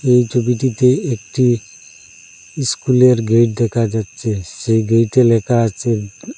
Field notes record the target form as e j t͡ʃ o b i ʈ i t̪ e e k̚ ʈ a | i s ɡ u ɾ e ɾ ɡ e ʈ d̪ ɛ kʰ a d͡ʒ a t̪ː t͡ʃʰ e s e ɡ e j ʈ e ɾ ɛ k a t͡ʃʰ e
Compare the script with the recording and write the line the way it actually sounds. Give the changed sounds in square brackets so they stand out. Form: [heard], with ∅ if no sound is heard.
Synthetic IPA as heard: e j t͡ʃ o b i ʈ i t̪ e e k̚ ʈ [i] | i s [k] u [l] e ɾ ɡ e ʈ d̪ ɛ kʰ a d͡ʒ a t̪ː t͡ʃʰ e s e ɡ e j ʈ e [l] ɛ k a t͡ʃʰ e